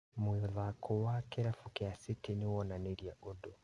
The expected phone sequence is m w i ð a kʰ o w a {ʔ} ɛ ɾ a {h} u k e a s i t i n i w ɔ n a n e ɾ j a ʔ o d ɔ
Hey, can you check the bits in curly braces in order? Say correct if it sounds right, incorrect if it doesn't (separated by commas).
incorrect, incorrect